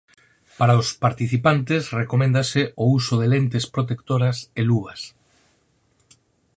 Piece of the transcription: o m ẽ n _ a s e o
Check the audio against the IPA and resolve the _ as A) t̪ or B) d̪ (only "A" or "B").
B